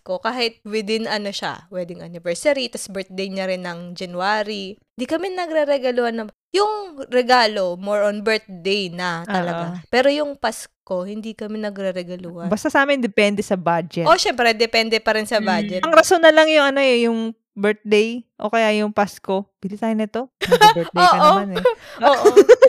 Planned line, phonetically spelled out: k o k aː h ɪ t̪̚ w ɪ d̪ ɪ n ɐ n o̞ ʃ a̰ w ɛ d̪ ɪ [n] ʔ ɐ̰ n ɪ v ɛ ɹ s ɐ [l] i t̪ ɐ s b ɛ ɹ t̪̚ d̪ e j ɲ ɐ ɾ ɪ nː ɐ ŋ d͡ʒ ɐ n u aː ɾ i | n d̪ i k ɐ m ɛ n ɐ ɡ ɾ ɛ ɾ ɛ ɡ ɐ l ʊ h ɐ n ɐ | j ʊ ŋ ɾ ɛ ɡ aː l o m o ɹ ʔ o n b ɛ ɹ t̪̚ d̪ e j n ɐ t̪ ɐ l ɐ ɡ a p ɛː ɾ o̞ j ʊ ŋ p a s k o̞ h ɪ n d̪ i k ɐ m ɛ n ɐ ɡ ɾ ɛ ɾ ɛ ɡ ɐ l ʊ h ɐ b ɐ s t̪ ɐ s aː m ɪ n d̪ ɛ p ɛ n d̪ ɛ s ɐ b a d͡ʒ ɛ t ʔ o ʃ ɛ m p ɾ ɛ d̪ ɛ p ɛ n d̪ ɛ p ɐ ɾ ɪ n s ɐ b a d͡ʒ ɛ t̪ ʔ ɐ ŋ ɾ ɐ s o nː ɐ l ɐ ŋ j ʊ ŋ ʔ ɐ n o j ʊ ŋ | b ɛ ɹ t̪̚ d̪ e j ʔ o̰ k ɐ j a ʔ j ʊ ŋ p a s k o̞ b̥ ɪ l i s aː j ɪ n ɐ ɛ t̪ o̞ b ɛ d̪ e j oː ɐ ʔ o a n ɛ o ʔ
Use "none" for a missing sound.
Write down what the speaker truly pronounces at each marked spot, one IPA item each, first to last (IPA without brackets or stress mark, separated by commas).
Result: ŋ, ɾ